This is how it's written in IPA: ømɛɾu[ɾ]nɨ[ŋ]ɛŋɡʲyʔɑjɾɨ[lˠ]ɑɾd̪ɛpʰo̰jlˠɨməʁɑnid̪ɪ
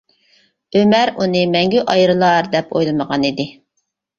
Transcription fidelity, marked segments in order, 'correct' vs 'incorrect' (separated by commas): incorrect, incorrect, correct